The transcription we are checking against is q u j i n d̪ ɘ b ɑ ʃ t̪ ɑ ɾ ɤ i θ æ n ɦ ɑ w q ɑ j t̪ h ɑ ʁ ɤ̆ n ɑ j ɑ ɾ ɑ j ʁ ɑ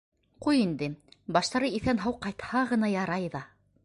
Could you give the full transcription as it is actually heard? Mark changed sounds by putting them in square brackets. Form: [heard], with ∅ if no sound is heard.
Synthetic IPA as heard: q u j i n d̪ ɘ b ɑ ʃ t̪ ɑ ɾ ɤ i θ æ n ɦ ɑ w q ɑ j t̪ h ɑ ʁ ɤ̆ n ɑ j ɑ ɾ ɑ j [ð] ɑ